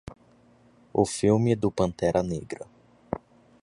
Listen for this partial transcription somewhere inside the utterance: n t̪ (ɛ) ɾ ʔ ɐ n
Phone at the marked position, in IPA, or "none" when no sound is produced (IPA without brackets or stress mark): ɛ